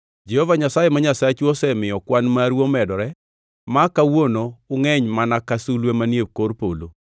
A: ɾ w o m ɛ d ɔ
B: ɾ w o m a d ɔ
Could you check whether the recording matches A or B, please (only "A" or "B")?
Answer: A